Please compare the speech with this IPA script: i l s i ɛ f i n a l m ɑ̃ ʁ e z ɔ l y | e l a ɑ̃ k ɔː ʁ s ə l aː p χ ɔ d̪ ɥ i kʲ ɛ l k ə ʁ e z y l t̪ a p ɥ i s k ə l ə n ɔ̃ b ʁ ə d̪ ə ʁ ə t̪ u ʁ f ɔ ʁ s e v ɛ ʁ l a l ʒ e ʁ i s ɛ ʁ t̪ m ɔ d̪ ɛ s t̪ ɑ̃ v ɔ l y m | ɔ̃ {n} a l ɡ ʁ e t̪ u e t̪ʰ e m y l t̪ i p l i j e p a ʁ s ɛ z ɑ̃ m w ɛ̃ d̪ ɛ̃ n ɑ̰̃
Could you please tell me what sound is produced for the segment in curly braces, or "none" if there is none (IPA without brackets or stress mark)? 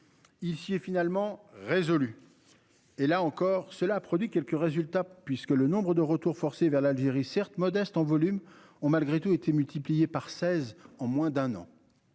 m